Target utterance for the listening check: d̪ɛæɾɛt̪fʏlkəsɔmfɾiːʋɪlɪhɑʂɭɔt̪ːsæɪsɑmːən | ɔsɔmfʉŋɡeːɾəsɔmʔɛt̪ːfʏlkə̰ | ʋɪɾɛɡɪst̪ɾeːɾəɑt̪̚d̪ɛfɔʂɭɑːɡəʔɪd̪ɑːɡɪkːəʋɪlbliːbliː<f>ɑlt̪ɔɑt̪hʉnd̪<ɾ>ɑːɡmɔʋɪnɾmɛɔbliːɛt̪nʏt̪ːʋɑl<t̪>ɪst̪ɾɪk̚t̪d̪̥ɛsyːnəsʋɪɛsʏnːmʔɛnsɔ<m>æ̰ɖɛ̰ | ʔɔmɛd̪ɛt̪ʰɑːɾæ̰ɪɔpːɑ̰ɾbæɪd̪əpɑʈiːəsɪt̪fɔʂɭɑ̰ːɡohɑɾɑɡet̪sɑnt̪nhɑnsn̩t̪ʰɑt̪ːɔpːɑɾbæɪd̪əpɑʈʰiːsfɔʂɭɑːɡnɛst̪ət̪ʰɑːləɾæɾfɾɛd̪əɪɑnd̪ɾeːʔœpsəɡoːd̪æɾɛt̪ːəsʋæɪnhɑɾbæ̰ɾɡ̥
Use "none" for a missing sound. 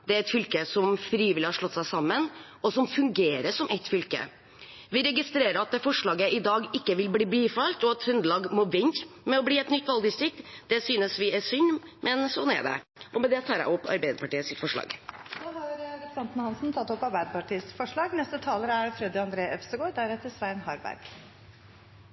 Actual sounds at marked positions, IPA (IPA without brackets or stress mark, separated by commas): f, l, d̪, n